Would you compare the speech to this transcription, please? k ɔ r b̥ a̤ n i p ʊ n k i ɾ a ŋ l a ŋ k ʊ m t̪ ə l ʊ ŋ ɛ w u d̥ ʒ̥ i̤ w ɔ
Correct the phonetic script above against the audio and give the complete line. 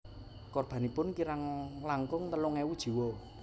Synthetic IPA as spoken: k ɔ r b̥ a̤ n i p ʊ n k i ɾ a ŋ l a ŋ k ʊ ŋ t̪ ə l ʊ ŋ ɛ w u d̥ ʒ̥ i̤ w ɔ